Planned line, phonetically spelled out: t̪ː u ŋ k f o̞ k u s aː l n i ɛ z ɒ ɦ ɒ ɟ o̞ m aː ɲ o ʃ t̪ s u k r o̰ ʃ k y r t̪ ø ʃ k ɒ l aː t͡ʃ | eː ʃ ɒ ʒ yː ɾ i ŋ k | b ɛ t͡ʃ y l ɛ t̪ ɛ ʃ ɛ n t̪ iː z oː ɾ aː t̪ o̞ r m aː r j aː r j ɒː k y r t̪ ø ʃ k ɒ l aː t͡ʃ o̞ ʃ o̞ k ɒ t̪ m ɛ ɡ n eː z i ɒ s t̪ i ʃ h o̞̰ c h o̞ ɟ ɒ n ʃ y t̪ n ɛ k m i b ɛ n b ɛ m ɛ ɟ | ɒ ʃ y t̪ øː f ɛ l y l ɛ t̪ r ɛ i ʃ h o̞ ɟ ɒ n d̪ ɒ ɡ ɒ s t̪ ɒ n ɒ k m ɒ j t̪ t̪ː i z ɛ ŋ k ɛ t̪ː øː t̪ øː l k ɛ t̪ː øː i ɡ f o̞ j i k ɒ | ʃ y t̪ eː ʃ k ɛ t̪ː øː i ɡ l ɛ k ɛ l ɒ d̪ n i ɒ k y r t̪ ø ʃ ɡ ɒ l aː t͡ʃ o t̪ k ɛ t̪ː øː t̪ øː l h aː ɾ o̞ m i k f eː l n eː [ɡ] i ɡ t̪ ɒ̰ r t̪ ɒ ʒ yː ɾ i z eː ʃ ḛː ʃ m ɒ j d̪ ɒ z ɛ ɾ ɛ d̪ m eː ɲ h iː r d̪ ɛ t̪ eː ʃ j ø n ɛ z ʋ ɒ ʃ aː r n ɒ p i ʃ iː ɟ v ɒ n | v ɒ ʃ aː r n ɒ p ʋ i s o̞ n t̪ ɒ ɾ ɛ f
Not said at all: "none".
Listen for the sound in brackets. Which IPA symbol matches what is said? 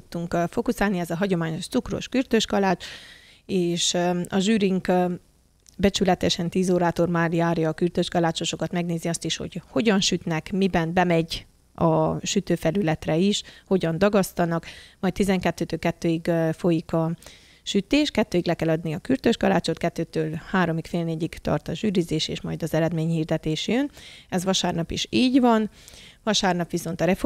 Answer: ɟ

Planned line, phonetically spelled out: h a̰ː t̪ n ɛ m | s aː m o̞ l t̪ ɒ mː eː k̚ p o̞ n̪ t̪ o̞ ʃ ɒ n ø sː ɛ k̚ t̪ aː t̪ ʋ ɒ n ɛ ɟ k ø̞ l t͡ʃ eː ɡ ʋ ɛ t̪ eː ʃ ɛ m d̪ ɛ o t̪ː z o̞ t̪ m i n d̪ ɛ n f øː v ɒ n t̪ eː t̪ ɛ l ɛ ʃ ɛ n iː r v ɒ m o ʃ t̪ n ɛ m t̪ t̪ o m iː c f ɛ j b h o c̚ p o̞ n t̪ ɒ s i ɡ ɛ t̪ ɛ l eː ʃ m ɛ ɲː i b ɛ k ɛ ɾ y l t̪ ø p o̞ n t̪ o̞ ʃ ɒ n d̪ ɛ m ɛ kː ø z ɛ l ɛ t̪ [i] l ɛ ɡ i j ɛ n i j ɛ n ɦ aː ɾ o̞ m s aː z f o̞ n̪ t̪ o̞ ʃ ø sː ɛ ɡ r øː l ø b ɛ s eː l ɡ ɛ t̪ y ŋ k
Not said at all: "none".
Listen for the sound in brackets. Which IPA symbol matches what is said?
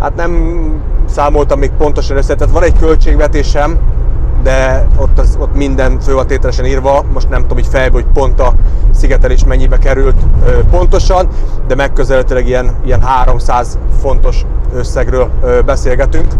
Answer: y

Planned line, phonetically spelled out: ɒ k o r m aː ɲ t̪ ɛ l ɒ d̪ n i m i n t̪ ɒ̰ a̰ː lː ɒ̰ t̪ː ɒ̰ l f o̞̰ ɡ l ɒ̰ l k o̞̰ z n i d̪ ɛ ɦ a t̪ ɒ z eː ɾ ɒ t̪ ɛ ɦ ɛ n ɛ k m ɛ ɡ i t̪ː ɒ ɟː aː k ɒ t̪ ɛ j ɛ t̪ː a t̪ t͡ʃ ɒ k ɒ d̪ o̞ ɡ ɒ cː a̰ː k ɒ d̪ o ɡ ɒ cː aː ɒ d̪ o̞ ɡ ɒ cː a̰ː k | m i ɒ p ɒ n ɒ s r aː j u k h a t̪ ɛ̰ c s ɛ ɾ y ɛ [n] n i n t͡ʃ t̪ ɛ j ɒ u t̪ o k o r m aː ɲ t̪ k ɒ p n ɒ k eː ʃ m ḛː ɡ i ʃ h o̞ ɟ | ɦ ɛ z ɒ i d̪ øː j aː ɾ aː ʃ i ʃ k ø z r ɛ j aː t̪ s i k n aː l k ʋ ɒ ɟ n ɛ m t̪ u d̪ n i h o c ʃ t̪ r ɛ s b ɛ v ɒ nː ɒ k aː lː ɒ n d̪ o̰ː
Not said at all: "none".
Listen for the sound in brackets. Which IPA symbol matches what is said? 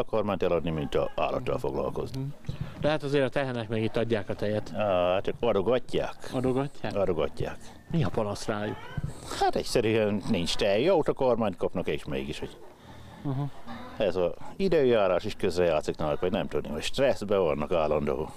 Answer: n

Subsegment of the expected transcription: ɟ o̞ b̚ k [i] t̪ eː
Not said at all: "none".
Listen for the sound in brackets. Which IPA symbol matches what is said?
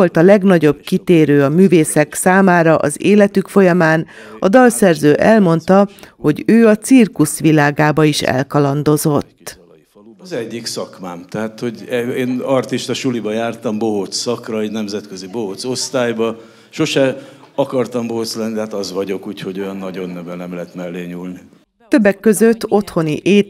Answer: i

